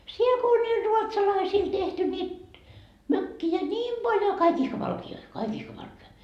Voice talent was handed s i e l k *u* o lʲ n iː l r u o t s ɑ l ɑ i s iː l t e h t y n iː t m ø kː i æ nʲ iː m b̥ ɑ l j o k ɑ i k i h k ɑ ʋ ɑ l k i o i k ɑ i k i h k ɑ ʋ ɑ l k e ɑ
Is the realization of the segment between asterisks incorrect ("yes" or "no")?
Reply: yes